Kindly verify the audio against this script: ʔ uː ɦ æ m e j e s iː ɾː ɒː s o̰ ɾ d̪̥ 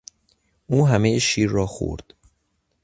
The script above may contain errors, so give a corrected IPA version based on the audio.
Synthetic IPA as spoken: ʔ uː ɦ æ m e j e ʃ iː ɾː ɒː x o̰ ɾ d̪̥